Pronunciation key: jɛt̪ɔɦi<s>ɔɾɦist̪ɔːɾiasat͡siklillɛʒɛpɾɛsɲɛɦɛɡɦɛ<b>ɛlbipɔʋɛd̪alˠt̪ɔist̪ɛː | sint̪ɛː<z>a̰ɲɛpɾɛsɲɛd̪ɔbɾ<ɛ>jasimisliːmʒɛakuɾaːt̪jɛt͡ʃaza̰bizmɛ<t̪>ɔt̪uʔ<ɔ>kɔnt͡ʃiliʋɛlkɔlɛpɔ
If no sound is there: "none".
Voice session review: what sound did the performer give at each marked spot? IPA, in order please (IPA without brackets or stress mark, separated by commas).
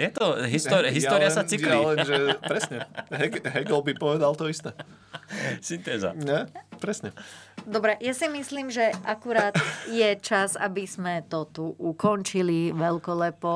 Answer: s, ɡ, z, ɛ, t̪, u